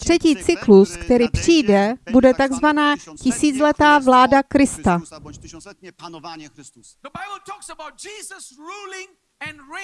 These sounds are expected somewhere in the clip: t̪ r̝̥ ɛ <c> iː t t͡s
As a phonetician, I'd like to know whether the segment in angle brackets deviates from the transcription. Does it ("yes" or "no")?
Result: no